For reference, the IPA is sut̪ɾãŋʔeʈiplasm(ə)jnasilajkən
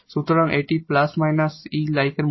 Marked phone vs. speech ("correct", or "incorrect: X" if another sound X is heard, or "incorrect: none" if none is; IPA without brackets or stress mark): incorrect: a